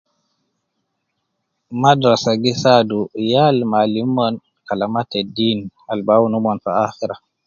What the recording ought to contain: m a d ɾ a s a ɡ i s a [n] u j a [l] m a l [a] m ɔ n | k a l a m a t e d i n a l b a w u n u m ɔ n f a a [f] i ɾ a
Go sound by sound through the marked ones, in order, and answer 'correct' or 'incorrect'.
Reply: incorrect: d, correct, incorrect: i, incorrect: x

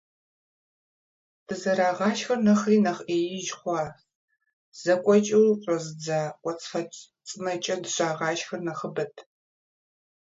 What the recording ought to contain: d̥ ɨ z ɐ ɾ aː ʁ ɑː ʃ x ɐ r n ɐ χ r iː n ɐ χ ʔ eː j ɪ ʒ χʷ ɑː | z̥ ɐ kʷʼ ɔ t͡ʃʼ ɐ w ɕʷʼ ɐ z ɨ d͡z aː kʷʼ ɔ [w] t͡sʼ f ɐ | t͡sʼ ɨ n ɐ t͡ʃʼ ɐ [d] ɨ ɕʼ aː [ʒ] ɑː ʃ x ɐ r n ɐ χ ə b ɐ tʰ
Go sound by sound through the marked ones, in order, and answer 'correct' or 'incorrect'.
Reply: incorrect: none, correct, incorrect: ʁ

